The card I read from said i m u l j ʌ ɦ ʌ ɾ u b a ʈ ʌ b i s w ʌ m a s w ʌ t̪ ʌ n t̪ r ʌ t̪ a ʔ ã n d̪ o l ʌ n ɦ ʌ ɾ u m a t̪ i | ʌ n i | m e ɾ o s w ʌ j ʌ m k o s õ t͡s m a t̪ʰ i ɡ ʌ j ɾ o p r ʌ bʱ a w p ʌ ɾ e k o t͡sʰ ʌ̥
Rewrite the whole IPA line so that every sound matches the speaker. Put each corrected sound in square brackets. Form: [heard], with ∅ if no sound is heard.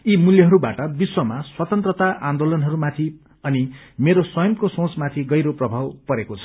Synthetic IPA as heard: i m u l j ʌ ɦ ʌ ɾ u b a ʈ ʌ b i s w ʌ m a s w ʌ t̪ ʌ n t̪ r ʌ t̪ a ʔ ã n d̪ o l ʌ n ɦ ʌ ɾ u m a [t̪ʰ] i | ʌ n i | m e ɾ o s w ʌ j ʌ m k o s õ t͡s m a t̪ʰ i ɡ ʌ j ɾ o p r ʌ bʱ a w p ʌ ɾ e k o t͡sʰ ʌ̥